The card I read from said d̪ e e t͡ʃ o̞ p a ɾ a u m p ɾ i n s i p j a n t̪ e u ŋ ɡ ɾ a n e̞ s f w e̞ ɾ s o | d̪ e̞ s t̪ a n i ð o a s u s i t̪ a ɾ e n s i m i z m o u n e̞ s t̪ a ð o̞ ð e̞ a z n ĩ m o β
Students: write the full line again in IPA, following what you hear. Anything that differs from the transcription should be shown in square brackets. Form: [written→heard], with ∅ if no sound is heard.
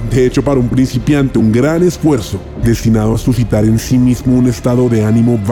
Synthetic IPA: d̪ e e t͡ʃ o̞ p a ɾ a u m p ɾ i n s i p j a n t̪ e u ŋ ɡ ɾ a n e̞ s f w e̞ ɾ s o | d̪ e̞ s t̪ [a→i] n [i→a] ð o a s u s i t̪ a ɾ e n s i m i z m o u n e̞ s t̪ a ð o̞ ð e̞ a [z→∅] n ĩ m o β